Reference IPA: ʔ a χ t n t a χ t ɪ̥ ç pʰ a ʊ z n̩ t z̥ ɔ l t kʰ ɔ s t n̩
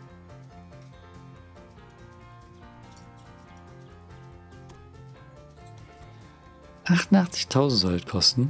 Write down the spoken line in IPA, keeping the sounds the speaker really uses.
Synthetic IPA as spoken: ʔ a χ t n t a χ t͡s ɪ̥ ç tʰ a ʊ z n̩ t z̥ ɔ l t kʰ ɔ s t n̩

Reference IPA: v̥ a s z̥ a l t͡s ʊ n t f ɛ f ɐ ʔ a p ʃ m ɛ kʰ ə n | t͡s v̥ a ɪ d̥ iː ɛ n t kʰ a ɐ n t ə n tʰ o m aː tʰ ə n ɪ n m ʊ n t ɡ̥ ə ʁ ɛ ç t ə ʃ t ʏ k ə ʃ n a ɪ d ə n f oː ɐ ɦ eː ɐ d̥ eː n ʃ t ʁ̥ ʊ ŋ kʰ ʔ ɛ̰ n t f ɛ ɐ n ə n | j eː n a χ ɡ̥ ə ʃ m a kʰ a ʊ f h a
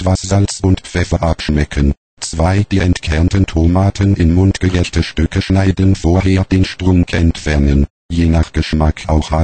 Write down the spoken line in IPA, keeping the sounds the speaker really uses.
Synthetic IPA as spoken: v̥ a s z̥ a l t͡s ʊ n t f ɛ f ɐ ʔ a p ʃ m ɛ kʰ ə n | t͡s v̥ a ɪ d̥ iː ɛ n t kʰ ɛ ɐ n t ə n tʰ o m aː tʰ ə n ɪ n m ʊ n t ɡ̥ ə ʁ ɛ ç t ə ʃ t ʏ k ə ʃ n a ɪ d ə n f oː ɐ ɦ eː ɐ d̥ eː n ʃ t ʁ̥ ʊ ŋ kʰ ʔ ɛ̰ n t f ɛ ɐ n ə n | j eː n a χ ɡ̥ ə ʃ m a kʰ a ʊ x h a

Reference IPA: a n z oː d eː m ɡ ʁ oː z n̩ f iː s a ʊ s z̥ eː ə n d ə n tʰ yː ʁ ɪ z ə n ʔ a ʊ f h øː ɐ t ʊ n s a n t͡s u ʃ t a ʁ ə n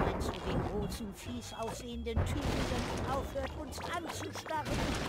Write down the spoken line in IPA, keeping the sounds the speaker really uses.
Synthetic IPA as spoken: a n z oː d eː n ɡ ʁ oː s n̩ f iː s a ʊ s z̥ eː ə n d ə n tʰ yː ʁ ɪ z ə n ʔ a ʊ f h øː ɐ t ʊ n s a n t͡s u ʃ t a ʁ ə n

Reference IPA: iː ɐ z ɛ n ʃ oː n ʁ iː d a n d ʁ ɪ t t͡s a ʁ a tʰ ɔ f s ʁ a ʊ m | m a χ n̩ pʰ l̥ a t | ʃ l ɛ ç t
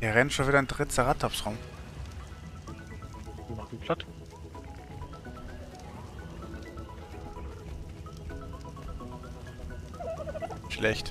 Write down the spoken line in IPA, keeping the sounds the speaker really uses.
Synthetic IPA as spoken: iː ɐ ʁ ɛ n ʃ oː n v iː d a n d ʁ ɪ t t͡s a ʁ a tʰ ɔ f s ʁ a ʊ m | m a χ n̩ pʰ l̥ a t | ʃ l ɛ ç t

